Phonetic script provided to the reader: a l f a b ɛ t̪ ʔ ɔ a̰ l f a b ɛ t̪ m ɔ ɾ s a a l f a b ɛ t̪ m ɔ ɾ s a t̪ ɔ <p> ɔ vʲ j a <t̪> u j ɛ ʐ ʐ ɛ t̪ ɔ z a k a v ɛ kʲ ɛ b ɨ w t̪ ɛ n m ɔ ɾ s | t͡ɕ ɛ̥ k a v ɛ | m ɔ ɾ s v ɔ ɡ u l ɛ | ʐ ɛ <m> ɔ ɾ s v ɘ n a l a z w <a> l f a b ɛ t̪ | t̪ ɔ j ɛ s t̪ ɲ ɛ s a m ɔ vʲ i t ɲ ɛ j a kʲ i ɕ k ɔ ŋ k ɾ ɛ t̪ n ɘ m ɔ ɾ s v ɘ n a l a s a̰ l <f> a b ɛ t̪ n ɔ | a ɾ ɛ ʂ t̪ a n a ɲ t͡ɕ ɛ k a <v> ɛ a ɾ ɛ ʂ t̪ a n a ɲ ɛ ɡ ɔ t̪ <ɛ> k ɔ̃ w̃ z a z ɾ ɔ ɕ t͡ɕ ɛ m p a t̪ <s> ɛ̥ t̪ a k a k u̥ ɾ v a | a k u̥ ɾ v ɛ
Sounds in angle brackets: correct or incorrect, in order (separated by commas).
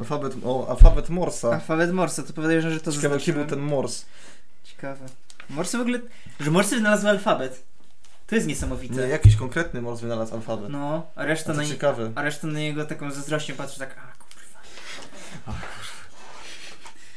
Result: correct, incorrect, correct, correct, correct, correct, incorrect, incorrect